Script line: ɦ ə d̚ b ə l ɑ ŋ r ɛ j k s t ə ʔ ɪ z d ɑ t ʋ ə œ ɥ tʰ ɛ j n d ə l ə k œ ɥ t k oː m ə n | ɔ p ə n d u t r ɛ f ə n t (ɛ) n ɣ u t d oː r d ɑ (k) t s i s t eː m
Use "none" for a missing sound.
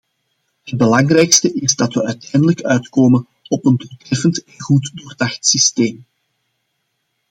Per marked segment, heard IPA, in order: ɛ, x

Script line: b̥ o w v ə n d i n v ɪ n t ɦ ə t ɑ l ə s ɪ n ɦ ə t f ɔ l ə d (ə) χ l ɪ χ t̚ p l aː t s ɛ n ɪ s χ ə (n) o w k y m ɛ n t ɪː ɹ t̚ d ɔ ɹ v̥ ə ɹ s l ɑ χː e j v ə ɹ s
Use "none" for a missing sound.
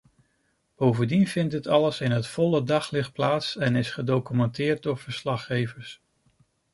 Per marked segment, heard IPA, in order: ɑ, d

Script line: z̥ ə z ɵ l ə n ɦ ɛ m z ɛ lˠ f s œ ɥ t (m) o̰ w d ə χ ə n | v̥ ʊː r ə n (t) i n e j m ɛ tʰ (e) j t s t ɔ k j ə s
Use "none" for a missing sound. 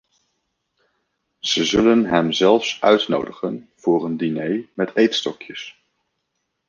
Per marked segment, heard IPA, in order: n, d, e

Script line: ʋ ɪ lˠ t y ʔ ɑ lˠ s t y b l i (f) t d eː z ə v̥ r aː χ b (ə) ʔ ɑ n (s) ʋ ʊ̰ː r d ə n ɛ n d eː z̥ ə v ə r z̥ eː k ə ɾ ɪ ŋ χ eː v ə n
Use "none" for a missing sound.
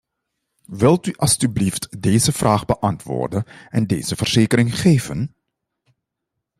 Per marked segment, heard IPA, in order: f, ə, t

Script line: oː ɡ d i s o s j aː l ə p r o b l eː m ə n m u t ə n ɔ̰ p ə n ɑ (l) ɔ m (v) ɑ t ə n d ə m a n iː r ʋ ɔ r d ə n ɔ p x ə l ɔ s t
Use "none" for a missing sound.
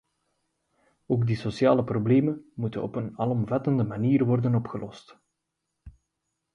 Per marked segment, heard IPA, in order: l, v

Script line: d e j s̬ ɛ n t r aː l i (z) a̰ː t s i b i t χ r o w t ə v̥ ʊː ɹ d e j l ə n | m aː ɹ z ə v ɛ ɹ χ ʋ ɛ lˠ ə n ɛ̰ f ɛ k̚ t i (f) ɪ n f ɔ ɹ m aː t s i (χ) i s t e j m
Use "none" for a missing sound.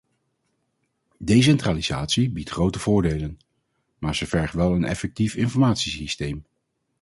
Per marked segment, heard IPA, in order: z, f, s

